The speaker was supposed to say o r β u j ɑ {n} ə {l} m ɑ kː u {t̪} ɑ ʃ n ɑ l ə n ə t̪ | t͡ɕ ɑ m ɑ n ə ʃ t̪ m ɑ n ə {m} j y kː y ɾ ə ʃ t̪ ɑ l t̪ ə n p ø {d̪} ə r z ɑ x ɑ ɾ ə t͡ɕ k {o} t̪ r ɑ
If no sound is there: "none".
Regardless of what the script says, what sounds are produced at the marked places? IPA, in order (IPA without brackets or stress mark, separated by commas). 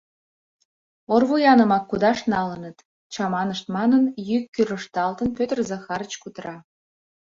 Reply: n, none, d̪, n, t̪, u